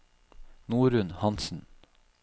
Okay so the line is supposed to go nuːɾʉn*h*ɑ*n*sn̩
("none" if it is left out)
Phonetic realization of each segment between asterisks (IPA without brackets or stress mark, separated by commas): h, n